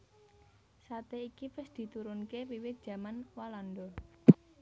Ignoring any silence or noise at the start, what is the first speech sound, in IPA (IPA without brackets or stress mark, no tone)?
s